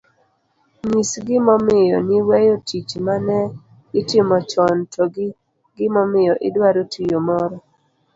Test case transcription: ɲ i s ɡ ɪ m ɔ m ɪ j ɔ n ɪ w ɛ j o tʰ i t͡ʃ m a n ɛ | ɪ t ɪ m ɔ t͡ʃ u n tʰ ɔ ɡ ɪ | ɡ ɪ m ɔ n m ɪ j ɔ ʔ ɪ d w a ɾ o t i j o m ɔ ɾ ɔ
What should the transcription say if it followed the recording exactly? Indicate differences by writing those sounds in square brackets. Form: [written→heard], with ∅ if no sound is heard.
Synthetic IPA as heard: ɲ i s ɡ ɪ m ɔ m ɪ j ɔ n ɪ w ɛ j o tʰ i t͡ʃ m a n ɛ | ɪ t ɪ m ɔ t͡ʃ [u→ɔ] n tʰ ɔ ɡ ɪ | ɡ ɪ m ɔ [n→∅] m ɪ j ɔ ʔ ɪ d w a ɾ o t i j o m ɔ ɾ ɔ